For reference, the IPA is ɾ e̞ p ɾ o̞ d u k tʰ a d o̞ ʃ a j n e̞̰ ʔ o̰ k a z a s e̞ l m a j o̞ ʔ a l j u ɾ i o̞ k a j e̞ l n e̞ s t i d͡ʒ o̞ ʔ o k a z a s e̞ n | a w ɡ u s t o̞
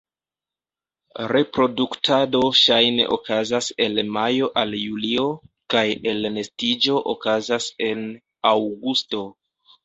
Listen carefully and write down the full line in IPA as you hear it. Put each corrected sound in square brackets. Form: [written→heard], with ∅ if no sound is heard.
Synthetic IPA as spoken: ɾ e̞ p ɾ o̞ d u k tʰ a d o̞ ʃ a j n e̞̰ ʔ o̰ k a z a s e̞ l m a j o̞ ʔ a l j u [ɾ→l] i o̞ k a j e̞ l n e̞ s t i d͡ʒ o̞ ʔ o k a z a s e̞ n | a w ɡ u s t o̞